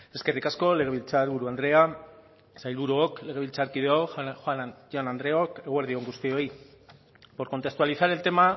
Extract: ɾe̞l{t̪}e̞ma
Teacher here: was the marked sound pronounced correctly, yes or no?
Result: yes